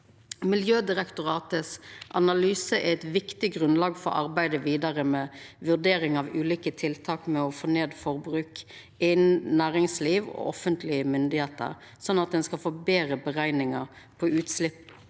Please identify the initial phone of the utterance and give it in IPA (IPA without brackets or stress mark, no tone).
m